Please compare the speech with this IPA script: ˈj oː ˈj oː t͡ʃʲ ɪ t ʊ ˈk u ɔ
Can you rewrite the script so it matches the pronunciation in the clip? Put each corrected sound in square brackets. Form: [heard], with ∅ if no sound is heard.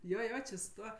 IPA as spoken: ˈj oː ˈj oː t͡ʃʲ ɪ [s] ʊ [ˈt] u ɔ